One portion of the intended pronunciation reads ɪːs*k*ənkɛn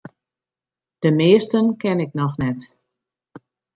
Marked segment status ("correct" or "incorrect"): incorrect